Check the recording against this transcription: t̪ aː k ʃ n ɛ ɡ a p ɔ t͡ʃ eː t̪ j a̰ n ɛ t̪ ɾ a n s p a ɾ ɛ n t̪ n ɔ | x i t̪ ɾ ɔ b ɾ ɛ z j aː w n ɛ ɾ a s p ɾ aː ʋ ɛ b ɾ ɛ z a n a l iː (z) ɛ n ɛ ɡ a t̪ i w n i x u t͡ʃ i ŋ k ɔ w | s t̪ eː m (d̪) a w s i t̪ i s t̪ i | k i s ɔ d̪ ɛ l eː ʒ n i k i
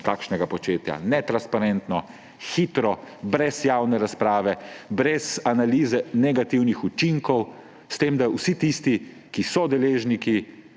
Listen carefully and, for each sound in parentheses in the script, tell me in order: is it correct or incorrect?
correct, correct

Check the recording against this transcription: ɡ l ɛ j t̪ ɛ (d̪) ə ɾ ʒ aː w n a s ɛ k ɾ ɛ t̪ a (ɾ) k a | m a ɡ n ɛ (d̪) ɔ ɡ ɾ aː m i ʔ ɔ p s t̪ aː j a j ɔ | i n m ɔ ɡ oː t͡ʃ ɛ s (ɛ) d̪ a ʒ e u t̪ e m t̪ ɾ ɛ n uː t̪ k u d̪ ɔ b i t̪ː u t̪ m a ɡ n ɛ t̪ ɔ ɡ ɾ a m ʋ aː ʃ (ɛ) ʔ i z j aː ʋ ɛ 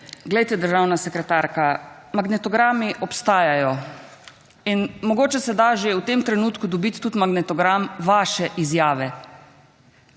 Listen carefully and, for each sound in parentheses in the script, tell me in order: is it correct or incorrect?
correct, correct, incorrect: t̪, correct, correct

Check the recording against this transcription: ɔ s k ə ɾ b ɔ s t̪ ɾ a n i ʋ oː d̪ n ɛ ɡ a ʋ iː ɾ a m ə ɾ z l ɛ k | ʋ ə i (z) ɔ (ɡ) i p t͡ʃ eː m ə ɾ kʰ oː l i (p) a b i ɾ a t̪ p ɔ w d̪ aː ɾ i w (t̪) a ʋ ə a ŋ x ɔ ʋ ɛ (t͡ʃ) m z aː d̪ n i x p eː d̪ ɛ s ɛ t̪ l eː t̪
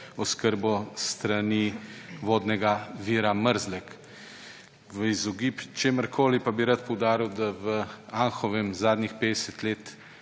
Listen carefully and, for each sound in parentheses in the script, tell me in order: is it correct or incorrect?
correct, correct, correct, incorrect: d̪, incorrect: none

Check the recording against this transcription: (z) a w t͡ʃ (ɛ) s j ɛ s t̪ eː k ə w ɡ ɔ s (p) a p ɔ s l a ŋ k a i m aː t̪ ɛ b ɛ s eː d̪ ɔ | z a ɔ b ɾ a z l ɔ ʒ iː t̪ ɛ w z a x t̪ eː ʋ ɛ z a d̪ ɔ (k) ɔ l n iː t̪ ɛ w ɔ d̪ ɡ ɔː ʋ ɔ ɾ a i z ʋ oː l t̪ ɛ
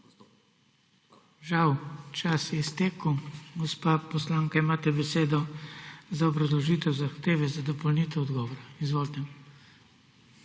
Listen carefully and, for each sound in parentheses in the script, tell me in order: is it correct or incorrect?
incorrect: ʒ, incorrect: a, correct, incorrect: p

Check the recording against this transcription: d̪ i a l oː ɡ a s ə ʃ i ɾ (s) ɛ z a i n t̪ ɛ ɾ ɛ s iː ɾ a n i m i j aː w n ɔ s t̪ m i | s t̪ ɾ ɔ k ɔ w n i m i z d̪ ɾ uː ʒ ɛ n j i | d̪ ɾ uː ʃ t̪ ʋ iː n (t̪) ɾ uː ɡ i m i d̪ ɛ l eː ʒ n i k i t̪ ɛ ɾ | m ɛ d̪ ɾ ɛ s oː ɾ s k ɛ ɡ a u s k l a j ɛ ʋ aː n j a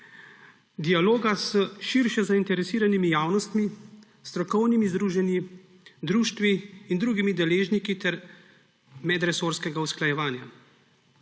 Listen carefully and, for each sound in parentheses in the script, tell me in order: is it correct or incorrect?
incorrect: ʃ, incorrect: d̪

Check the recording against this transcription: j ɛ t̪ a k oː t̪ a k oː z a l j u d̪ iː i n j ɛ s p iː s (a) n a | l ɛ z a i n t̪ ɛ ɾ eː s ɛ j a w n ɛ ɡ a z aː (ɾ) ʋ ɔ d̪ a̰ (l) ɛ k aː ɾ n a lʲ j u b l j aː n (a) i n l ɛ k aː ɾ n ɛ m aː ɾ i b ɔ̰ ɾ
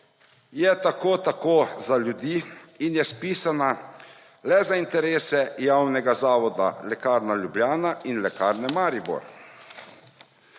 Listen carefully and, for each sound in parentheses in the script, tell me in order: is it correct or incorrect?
correct, incorrect: none, correct, correct

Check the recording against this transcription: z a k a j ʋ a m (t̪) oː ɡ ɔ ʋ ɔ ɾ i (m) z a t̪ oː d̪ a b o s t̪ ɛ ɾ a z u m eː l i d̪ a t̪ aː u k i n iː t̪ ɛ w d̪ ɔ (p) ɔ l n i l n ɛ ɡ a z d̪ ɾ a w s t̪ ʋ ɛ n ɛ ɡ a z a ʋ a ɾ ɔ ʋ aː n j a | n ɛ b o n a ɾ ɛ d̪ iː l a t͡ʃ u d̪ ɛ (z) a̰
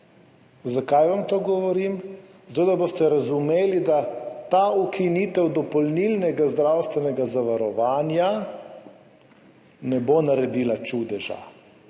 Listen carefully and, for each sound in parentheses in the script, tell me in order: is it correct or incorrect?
correct, correct, correct, incorrect: ʒ

